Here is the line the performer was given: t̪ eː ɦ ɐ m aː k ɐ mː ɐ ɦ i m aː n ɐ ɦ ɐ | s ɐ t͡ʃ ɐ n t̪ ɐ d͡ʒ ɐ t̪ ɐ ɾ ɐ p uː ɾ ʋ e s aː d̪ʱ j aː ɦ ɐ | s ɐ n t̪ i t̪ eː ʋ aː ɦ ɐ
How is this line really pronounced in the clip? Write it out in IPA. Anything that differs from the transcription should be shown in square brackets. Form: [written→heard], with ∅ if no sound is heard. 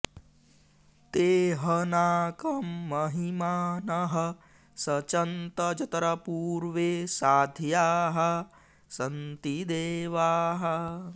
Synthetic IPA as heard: t̪ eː ɦ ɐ [m→n] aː k ɐ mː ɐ ɦ i m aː n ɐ ɦ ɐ | s ɐ t͡ʃ ɐ n t̪ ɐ d͡ʒ ɐ t̪ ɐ ɾ ɐ p uː ɾ ʋ e s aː d̪ʱ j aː ɦ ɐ | s ɐ n t̪ i [t̪→d̪] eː ʋ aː ɦ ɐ